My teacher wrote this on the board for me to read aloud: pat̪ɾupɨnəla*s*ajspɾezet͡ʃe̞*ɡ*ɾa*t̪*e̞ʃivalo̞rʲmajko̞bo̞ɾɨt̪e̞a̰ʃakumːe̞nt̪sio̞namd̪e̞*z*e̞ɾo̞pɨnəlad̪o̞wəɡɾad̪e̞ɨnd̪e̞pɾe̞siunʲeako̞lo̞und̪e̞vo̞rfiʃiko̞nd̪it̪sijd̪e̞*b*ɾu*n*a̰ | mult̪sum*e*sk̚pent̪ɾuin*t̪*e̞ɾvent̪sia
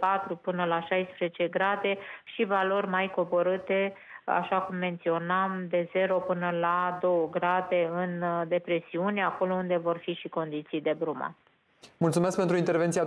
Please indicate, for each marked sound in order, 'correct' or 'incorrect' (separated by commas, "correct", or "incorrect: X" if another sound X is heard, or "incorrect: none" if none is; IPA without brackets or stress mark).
incorrect: ʃ, correct, incorrect: d̪, correct, correct, incorrect: m, correct, correct